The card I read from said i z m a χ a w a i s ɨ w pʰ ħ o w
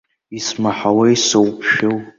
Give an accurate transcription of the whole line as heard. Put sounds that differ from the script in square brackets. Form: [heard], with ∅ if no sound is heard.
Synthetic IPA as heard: i [s] m a [ħ] a w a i s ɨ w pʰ [ʃ] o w